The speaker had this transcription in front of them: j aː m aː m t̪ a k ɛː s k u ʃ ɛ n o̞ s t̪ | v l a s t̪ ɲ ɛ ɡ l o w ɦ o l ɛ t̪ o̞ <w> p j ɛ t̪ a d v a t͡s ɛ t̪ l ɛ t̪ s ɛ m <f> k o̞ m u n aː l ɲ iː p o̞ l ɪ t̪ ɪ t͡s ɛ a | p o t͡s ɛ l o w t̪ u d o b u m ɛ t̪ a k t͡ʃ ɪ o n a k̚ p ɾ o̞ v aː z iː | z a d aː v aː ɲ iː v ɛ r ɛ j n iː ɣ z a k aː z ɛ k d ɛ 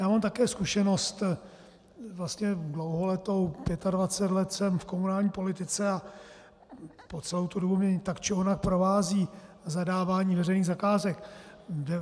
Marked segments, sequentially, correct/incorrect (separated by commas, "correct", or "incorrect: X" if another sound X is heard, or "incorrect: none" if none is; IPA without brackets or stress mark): correct, correct